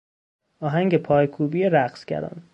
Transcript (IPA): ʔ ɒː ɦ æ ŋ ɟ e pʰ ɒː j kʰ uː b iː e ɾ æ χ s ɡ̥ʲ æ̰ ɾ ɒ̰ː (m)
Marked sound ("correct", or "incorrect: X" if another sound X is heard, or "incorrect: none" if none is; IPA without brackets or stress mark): incorrect: n